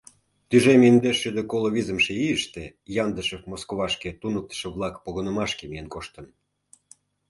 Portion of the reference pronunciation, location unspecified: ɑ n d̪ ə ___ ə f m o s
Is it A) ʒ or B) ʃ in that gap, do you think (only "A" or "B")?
B